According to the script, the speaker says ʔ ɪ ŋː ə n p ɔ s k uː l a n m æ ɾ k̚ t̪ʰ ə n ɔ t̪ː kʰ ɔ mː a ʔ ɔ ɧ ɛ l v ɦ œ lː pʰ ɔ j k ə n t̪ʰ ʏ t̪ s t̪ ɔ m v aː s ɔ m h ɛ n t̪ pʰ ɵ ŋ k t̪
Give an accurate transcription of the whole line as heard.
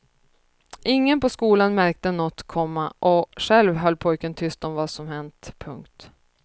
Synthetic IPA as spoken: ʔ ɪ ŋː ə n p ɔ s k uː l a n m æ ɾ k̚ t̪ ə n ɔ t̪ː kʰ ɔ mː a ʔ ɔ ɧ ɛ l v ɦ œ lː pʰ ɔ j k ə n t̪ʰ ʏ s t̪ ɔ m v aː s ɔ m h ɛ n t̪ pʰ ɵ ŋ k t̪